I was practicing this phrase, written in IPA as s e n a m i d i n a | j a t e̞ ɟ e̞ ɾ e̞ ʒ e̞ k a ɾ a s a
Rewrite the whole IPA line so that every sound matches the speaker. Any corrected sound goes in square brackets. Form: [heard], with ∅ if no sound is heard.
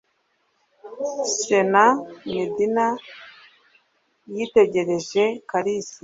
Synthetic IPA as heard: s e n a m i d i n a | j [i] t e̞ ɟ e̞ ɾ e̞ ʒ e̞ k a ɾ [i] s [i]

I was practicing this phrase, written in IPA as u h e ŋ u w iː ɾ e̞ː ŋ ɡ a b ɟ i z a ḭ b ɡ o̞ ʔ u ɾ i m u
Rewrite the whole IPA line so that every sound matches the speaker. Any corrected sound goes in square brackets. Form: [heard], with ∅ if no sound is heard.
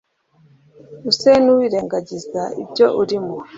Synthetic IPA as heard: u [s] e [n] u w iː ɾ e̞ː ŋ ɡ a [∅] ɟ i z a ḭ b [ɟ] o̞ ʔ u ɾ i m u

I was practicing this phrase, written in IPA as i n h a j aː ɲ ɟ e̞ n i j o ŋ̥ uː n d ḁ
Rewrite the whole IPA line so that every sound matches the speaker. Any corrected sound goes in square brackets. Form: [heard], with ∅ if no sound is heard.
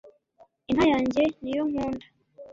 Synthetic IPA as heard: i n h a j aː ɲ ɟ e̞ n i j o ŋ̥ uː n d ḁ

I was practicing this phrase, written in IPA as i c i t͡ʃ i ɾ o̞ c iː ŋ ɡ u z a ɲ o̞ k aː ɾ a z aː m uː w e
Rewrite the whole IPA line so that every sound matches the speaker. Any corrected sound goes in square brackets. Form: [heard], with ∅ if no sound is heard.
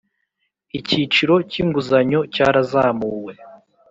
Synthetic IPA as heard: i c i t͡ʃ i ɾ o̞ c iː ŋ ɡ u z a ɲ o̞ [c] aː ɾ a z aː m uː w e

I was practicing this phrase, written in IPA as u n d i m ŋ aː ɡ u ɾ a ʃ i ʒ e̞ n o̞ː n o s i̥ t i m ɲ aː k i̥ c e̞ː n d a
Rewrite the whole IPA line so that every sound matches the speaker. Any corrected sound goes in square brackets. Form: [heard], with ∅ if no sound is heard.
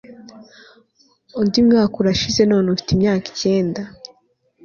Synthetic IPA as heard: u n d i m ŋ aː [k] u ɾ a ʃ i [z] e̞ n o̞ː n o [f] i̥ t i m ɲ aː k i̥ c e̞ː n d a

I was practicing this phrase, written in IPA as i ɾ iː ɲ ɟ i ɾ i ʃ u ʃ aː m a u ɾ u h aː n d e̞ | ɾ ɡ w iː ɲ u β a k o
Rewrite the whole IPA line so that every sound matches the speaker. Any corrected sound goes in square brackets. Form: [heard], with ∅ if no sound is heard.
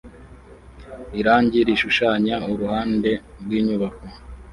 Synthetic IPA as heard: i ɾ [aː] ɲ ɟ i ɾ i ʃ u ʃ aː [ɲ] a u ɾ u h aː n d e̞ | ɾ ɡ w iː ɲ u β a k o

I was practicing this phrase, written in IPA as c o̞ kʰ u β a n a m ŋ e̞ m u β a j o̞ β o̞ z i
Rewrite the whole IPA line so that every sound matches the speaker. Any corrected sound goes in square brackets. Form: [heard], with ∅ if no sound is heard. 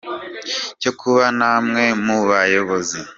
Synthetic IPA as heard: c o̞ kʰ u β a n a m ŋ e̞ m u β a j o̞ β o̞ z i

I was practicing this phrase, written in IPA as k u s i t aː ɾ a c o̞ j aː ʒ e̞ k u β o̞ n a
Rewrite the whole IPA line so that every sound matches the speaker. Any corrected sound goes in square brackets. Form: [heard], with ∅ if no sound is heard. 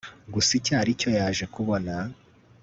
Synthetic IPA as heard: [ɡ] u s i [c] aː ɾ [i] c o̞ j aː ʒ e̞ k u β o̞ n a

